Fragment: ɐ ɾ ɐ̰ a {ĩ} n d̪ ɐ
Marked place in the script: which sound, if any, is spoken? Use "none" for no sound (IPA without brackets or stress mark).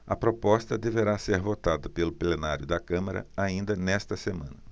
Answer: ĩ